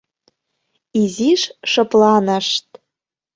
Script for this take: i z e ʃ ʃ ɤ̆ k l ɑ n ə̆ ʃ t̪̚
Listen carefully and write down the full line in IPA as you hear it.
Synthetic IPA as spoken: i z i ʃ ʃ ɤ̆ p l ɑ n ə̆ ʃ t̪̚